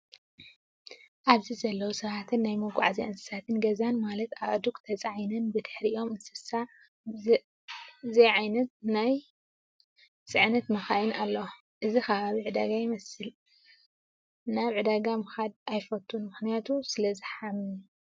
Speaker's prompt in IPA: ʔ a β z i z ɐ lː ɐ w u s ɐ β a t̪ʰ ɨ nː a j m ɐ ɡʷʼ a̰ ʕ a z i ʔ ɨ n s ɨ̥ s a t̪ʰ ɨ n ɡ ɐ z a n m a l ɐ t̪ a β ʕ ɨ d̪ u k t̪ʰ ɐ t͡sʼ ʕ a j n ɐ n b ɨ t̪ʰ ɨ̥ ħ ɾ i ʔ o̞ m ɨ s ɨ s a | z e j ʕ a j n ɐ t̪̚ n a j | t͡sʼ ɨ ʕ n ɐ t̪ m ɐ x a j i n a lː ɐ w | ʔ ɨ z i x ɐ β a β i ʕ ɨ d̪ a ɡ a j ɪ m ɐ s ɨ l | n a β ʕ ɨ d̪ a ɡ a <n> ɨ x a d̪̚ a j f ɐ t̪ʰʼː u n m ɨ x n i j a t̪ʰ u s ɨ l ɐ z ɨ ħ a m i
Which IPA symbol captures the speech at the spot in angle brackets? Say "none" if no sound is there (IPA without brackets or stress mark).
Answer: m